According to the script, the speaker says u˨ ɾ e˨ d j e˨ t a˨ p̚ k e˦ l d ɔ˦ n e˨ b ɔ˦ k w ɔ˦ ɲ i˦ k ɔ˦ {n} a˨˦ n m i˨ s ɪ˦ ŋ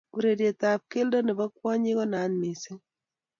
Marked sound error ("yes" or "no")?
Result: no